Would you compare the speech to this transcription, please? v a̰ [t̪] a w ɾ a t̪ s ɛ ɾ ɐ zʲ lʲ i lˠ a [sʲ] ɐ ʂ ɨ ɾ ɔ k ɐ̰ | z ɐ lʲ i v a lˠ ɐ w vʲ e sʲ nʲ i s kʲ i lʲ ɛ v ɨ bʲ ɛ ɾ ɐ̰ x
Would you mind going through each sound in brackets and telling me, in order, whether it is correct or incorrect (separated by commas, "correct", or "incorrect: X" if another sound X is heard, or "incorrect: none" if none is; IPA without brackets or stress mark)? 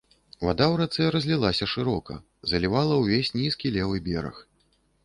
incorrect: d̪, correct